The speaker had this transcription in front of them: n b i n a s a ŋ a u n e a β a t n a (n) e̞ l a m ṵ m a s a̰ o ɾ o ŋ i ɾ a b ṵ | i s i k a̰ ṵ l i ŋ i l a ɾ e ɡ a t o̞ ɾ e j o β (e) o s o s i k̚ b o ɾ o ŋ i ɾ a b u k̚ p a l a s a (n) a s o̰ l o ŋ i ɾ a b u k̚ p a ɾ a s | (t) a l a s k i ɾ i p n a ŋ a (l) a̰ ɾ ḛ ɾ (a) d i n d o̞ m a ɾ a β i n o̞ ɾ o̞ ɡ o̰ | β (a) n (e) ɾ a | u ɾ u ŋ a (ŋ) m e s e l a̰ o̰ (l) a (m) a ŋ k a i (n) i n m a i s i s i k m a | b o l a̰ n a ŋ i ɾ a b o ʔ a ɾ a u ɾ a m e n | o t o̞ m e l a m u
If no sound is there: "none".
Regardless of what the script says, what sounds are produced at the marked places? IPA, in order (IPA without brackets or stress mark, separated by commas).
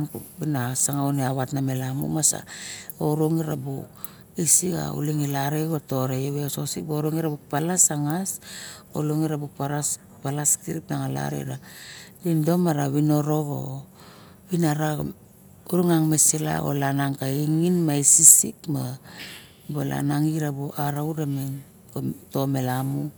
m, e, ŋ, p, l, a, i, a, ŋ, l, n, ŋ